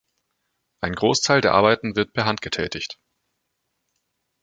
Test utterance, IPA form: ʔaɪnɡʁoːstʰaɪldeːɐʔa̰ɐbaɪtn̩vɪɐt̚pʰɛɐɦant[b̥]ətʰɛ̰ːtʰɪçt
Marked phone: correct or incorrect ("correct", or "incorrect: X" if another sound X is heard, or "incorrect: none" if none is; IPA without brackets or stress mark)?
incorrect: ɡ̥